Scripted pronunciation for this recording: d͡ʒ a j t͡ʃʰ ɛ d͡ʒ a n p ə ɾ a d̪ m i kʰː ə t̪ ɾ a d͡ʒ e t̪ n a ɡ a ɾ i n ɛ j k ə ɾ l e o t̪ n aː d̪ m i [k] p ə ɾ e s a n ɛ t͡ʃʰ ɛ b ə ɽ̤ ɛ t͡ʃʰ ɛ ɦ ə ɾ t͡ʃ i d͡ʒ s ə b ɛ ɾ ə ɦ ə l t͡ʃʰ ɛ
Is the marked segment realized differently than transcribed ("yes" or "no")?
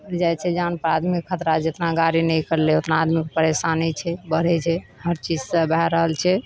no